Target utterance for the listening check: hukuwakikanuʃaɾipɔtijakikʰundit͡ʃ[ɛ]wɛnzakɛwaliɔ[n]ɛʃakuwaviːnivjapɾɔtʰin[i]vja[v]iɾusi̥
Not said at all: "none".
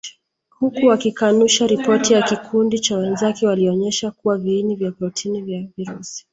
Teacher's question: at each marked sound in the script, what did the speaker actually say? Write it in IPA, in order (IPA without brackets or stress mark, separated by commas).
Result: a, ɲ, i, v